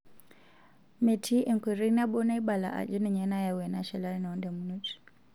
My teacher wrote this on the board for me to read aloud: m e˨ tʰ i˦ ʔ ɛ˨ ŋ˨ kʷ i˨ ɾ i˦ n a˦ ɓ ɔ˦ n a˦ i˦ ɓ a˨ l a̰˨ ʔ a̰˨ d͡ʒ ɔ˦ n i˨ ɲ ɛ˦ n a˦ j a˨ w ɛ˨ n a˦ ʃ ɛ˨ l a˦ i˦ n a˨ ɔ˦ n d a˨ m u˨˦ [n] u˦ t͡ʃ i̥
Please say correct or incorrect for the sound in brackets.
correct